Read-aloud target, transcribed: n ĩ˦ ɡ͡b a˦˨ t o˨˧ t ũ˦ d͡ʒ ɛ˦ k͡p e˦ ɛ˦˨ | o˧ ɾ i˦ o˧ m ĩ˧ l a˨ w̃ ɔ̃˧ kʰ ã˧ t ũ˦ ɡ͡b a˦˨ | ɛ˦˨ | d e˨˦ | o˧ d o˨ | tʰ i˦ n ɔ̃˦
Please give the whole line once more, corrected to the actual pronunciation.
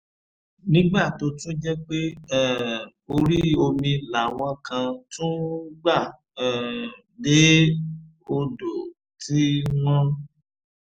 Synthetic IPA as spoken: n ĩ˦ ɡ͡b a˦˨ t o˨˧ t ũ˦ d͡ʒ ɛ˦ k͡p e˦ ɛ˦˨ | o˧ ɾ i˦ o˧ m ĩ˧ l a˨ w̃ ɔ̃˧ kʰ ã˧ t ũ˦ ɡ͡b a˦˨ | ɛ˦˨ | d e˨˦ | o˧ d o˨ | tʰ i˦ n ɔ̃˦